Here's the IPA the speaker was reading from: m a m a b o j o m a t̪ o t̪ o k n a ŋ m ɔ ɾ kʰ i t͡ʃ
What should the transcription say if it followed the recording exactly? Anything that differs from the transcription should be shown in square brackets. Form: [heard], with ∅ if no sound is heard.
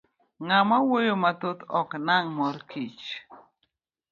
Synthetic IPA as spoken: [ŋ] a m a [w] o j o m a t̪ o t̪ [ɔ] k n a ŋ m ɔ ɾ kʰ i t͡ʃ